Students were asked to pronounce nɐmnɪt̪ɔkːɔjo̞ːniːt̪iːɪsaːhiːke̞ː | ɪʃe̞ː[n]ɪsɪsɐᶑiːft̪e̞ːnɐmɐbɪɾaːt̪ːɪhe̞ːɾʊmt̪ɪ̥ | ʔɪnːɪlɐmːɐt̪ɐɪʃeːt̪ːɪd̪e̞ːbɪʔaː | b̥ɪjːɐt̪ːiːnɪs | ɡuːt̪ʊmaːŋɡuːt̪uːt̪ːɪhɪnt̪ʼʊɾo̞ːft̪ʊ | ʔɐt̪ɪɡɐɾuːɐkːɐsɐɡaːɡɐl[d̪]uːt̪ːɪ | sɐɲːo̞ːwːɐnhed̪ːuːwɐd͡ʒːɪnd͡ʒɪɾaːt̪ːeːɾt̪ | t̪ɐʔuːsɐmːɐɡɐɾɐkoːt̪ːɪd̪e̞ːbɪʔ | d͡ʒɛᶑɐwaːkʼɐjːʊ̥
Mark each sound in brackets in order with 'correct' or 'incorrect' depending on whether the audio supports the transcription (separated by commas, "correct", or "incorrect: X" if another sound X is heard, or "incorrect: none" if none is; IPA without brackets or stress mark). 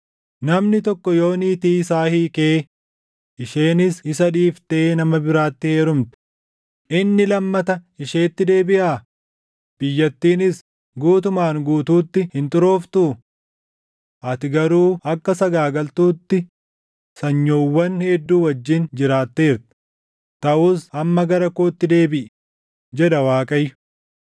correct, incorrect: t̪